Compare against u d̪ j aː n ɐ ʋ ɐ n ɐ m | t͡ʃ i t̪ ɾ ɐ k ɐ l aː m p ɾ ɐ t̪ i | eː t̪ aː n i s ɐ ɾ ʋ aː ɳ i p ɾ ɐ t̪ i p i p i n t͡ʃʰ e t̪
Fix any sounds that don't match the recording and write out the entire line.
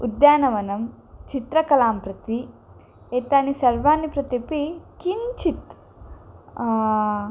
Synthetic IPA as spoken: u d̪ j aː n ɐ ʋ ɐ n ɐ m | t͡ʃ i t̪ ɾ ɐ k ɐ l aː m p ɾ ɐ t̪ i | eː t̪ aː n i s ɐ ɾ ʋ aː n i p ɾ ɐ t̪ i p i k i n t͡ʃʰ i t̪